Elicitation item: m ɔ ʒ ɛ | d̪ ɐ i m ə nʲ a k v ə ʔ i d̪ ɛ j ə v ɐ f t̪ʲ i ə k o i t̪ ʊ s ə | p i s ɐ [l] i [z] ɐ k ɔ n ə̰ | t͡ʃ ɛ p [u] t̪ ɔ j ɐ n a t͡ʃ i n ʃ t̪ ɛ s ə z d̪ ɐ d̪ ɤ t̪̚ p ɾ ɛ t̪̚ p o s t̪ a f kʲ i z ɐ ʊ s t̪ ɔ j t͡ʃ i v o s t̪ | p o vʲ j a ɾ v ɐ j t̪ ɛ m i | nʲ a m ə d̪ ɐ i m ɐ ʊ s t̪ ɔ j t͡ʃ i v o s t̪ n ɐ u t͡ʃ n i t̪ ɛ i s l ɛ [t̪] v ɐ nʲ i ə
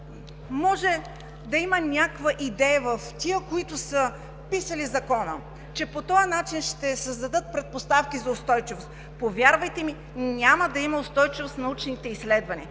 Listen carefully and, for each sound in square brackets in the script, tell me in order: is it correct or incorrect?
correct, correct, incorrect: o, incorrect: d̪

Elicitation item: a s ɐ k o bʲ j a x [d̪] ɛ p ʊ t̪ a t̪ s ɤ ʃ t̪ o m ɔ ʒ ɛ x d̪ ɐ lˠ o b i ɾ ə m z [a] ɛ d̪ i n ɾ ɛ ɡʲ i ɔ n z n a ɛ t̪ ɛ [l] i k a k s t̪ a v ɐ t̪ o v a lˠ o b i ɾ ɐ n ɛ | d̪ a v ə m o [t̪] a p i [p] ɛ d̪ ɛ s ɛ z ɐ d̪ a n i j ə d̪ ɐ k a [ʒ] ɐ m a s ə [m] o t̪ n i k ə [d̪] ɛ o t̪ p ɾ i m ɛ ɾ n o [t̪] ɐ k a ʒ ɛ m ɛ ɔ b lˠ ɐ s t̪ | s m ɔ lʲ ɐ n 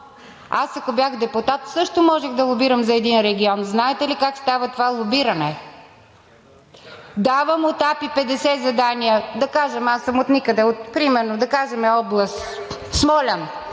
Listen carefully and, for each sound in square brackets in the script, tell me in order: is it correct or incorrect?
correct, incorrect: ɐ, correct, correct, correct, correct, correct, correct, incorrect: d̪

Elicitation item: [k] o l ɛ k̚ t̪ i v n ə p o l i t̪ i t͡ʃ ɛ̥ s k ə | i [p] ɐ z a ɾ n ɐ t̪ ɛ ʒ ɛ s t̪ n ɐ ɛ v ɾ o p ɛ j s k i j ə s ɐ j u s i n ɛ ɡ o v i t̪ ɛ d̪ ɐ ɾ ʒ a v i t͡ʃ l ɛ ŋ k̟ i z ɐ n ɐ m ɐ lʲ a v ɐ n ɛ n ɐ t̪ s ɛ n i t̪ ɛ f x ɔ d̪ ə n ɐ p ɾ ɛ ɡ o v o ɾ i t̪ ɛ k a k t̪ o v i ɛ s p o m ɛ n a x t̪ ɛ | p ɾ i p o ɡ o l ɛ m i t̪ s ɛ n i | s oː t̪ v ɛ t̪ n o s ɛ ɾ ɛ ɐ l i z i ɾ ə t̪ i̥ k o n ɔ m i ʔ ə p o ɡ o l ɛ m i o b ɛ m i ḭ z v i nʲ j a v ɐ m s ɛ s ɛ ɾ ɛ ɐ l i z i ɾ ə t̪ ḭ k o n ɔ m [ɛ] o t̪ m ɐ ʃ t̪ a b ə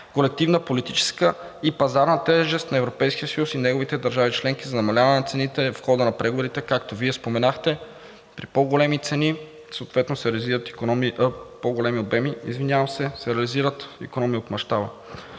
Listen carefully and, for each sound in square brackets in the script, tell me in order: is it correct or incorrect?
correct, correct, incorrect: i

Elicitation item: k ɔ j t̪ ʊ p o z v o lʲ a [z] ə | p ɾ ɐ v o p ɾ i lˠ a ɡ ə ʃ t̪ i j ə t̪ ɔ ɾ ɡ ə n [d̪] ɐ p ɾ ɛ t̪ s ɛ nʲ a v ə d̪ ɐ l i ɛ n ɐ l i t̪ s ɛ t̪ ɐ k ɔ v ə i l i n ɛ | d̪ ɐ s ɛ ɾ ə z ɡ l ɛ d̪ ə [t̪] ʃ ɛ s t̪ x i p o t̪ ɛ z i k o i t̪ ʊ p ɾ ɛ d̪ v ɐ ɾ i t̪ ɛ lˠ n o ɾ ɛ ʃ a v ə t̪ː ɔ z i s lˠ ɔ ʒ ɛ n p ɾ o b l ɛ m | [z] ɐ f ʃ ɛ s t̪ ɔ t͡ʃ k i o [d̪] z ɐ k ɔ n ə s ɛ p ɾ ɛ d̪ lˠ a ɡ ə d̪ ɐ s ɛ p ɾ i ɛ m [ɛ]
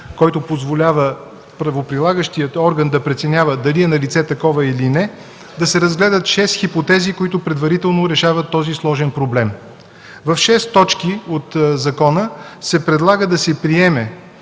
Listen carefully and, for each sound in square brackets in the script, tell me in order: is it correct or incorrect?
incorrect: v, correct, correct, incorrect: v, incorrect: t̪, correct

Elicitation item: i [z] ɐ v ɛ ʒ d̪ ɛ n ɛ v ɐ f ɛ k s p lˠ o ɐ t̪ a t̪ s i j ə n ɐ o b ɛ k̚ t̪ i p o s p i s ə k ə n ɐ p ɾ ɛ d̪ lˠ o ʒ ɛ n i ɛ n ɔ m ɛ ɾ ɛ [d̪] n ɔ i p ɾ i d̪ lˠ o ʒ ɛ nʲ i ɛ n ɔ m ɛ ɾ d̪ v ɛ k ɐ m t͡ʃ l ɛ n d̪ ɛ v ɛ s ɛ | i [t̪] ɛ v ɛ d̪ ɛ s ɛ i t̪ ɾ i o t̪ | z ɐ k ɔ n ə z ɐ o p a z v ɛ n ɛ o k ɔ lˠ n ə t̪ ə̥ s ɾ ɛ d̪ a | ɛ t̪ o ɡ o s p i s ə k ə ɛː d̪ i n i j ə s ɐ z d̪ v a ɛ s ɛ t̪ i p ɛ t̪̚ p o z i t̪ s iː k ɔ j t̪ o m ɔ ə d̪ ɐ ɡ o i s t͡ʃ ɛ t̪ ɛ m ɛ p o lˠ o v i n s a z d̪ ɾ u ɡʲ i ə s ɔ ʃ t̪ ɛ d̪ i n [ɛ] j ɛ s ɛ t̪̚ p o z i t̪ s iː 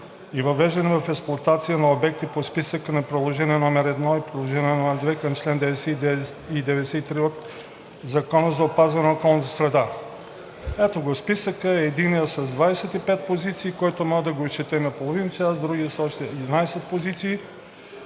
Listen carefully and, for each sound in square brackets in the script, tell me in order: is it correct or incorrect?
incorrect: v, correct, incorrect: d̪, incorrect: a

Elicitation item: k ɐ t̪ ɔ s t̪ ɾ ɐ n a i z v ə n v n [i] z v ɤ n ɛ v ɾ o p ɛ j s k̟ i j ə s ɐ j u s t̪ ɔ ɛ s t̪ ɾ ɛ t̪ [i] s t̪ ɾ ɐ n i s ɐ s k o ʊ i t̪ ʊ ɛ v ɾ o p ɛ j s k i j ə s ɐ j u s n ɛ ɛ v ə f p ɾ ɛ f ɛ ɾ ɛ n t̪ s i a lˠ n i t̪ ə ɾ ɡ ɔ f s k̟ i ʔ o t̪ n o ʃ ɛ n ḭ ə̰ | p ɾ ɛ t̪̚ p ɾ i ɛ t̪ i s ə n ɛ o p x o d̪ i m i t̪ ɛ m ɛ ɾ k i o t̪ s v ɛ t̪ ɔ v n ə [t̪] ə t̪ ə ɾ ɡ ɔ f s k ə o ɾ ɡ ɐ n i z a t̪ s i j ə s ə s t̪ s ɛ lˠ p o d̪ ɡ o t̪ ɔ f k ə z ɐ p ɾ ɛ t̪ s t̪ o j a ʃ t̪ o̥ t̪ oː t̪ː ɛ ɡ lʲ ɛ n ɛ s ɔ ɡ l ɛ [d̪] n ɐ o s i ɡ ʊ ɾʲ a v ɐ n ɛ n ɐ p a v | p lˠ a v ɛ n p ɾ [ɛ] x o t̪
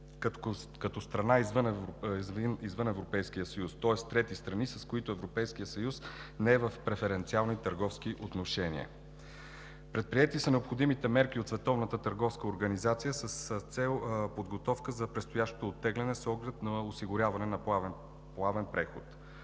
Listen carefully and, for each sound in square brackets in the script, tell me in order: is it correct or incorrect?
correct, correct, correct, incorrect: t̪, correct

